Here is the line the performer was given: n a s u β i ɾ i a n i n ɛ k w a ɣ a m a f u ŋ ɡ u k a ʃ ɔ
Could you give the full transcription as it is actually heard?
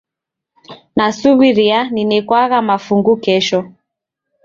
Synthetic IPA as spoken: n a s u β i ɾ i a n i n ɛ k w a ɣ a m a f u ŋ ɡ u k ɛ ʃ ɔ